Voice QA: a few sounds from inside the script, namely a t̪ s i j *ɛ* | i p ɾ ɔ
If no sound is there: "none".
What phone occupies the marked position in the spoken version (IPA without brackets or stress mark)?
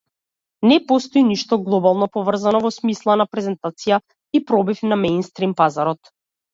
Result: a